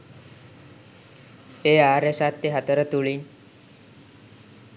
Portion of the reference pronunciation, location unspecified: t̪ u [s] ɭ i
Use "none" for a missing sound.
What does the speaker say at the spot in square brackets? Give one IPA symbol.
none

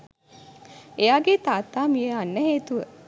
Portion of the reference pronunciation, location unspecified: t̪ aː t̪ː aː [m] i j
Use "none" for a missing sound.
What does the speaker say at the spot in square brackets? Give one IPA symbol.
m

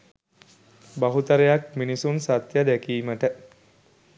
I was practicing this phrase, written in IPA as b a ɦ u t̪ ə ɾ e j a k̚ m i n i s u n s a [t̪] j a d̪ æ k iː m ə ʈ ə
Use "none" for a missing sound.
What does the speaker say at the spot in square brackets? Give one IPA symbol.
t̪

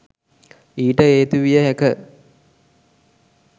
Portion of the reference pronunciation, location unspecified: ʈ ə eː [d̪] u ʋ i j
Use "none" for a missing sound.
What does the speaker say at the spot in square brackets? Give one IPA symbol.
t̪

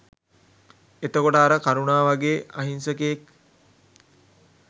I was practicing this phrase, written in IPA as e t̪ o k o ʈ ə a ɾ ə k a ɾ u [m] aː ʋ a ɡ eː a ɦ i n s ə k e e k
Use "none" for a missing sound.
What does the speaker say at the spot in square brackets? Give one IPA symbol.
n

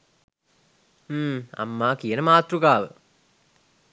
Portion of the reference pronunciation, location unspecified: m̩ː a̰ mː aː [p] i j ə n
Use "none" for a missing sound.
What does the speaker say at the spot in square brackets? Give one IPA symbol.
k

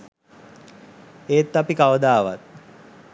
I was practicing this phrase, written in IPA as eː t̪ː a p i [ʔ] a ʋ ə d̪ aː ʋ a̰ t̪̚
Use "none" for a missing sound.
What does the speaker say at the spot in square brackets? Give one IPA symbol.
k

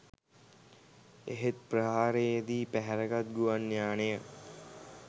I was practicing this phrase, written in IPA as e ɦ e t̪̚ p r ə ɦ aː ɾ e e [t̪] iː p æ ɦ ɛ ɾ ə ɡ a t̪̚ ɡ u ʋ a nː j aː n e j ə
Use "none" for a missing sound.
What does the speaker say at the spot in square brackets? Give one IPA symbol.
d̪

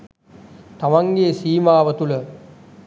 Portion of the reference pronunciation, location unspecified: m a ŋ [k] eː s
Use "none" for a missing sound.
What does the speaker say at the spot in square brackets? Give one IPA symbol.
ɡ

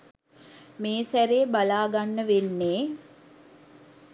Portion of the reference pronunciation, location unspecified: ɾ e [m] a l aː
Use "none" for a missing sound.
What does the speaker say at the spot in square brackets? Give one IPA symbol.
b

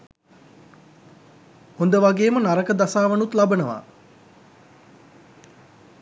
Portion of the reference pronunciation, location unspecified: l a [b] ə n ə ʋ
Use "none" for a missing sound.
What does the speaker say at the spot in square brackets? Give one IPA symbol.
b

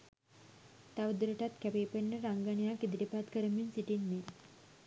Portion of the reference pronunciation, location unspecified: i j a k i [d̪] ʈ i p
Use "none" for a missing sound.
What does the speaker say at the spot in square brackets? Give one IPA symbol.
d̪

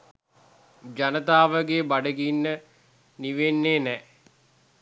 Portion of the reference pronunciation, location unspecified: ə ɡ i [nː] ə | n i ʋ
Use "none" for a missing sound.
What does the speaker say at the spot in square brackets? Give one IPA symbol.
nː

